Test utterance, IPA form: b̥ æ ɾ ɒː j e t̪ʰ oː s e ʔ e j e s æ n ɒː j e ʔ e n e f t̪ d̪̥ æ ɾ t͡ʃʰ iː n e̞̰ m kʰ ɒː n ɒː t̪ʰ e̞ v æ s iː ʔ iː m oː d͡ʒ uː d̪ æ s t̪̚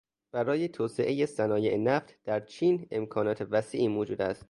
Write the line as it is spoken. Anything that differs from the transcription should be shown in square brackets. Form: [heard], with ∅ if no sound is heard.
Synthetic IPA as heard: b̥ æ ɾ ɒː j e t̪ʰ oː s e ʔ e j e s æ n ɒː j e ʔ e n [æ] f t̪ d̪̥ æ ɾ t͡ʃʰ iː n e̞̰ m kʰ ɒː n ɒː t̪ʰ e̞ v æ s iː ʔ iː m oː d͡ʒ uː d̪ æ s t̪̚